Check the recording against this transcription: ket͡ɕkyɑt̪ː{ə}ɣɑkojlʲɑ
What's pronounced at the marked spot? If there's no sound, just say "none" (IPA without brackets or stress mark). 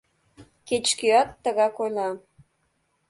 ə